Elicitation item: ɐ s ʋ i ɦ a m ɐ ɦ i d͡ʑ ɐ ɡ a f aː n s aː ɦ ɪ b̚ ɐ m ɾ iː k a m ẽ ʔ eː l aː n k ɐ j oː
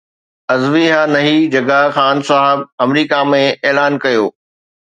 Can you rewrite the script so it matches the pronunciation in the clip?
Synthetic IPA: ɐ z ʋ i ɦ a n ɐ ɦ i d͡ʑ ɐ ɡ a x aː n s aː ɦ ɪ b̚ ɐ m ɾ iː k a m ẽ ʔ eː l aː n k ɐ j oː